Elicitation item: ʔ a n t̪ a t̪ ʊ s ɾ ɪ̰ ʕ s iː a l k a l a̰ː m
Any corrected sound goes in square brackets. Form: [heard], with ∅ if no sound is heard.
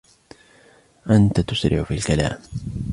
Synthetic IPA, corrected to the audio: ʔ a n t̪ a t̪ ʊ s ɾ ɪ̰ ʕ [f] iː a l k a l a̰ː m